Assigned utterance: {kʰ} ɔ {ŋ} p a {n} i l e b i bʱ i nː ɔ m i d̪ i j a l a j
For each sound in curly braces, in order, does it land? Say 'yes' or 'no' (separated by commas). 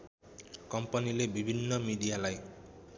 no, no, yes